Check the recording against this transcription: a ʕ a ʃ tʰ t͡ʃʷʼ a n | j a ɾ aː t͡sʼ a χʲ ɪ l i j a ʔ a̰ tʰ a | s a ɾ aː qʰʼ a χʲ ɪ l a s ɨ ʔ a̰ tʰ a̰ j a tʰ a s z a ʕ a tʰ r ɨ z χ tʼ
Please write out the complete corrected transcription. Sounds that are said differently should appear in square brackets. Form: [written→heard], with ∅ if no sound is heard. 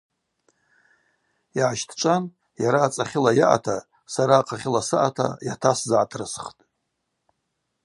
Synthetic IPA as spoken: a ʕ a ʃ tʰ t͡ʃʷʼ a n | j a ɾ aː t͡sʼ a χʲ ɪ l [i→a] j a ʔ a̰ tʰ a | s a ɾ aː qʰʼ a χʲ ɪ l a s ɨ ʔ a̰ tʰ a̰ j a tʰ a s z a ʕ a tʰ r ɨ [z→s] χ tʼ